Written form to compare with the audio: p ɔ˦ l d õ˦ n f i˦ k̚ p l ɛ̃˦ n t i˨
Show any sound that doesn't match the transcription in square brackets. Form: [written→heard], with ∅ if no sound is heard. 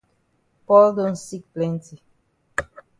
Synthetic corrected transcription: p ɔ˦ l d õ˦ n [f→s] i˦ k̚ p l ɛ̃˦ n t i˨